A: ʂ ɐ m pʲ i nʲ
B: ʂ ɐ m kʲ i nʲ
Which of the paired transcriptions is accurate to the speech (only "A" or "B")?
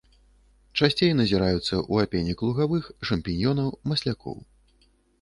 A